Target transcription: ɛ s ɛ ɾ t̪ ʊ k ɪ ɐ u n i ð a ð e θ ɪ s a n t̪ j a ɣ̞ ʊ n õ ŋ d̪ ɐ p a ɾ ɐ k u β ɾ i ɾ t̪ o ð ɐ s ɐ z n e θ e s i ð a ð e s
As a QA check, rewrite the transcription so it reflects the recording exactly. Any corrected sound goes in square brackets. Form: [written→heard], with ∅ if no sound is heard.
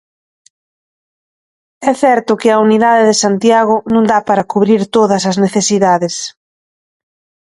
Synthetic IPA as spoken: ɛ [s→θ] ɛ ɾ t̪ ʊ k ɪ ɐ u n i ð a ð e [θ→ð] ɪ s a n t̪ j a ɣ̞ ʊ n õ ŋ d̪ [ɐ→a] p a ɾ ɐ k u β ɾ i ɾ t̪ o ð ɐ s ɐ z n e θ e s i ð a ð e s